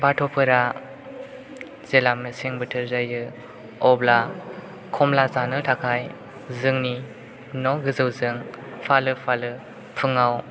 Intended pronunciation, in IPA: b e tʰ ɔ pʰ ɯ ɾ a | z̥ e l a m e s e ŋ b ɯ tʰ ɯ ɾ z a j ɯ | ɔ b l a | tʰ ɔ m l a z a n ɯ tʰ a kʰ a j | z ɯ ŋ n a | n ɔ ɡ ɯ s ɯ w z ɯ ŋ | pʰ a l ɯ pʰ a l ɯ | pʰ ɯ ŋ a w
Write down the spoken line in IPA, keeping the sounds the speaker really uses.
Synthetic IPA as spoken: b a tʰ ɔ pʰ ɯ ɾ a | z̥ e l a m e s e ŋ b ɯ tʰ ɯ ɾ z a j ɯ | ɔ b l a | kʰ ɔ m l a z a n ɯ tʰ a kʰ a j | z ɯ ŋ n i | n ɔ ɡ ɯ z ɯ w z ɯ ŋ | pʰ a l ɯ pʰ a l ɯ | pʰ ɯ ŋ a w